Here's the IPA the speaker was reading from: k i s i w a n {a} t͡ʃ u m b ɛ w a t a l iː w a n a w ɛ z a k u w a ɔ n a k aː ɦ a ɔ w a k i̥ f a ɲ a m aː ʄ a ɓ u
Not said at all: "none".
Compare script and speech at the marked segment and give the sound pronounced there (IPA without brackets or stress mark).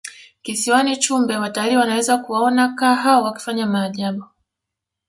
i